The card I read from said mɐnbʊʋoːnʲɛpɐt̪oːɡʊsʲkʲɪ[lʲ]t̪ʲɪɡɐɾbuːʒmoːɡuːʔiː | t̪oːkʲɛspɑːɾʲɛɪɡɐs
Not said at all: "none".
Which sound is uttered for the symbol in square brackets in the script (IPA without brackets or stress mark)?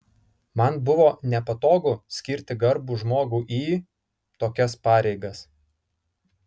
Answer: ɾʲ